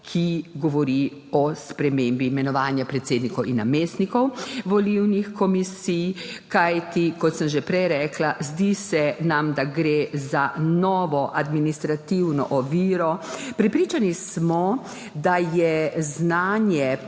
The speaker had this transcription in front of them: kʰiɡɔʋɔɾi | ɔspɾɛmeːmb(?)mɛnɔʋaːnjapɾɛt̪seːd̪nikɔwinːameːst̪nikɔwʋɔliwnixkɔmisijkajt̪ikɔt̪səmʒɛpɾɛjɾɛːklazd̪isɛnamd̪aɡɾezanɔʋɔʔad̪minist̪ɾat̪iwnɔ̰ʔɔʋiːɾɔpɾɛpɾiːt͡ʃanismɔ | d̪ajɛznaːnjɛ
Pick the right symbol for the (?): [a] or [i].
i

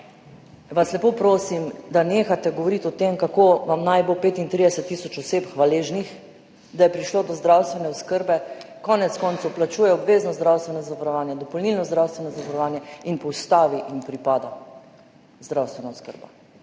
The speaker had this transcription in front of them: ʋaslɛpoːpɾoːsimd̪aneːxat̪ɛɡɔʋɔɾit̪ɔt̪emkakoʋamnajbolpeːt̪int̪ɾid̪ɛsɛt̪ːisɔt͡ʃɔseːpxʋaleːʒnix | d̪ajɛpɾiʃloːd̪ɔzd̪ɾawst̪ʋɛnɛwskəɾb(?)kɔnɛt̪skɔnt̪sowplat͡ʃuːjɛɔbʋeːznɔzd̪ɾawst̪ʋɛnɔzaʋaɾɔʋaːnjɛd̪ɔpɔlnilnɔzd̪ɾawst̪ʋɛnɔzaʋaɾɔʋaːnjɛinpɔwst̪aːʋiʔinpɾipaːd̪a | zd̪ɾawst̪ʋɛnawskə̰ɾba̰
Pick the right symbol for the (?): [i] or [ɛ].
ɛ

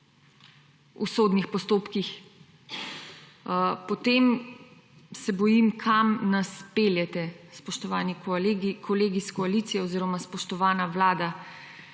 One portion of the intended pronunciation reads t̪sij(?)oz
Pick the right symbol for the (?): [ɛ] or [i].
ɛ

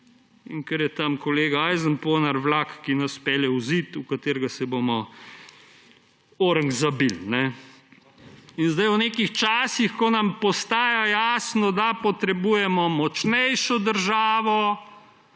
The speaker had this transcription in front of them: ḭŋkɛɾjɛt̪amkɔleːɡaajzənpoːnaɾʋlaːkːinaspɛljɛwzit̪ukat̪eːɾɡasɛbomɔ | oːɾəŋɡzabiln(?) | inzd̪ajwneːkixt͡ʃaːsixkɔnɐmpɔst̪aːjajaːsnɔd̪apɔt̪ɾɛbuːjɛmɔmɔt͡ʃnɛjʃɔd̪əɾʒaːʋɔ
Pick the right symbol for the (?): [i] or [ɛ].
ɛ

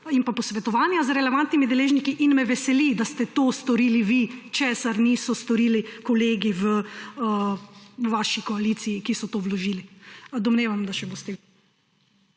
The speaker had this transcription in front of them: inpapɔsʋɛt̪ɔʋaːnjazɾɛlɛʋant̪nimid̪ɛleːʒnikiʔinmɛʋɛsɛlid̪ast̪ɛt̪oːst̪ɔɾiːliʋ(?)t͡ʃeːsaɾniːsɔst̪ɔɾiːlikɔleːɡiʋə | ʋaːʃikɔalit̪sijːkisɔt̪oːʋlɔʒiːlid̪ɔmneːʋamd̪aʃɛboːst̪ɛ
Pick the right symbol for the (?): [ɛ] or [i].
i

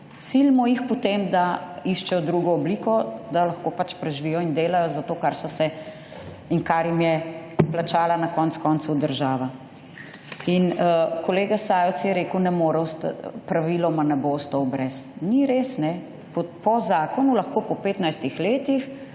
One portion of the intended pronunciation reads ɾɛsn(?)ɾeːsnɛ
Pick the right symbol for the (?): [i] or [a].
i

